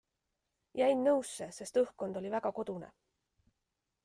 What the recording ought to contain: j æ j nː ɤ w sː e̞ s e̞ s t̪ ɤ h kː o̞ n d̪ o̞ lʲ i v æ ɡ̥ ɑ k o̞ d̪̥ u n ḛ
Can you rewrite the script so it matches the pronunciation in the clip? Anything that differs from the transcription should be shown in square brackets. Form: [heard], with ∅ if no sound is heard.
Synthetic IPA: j æ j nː ɤ w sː e̞ s e̞ s t̪ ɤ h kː o̞ n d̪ o̞ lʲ i v æ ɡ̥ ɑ k o̞ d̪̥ u n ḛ